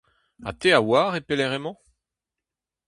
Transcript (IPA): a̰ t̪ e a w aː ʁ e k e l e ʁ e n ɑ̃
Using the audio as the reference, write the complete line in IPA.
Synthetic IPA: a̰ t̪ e a w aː ʁ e p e l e ʁ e m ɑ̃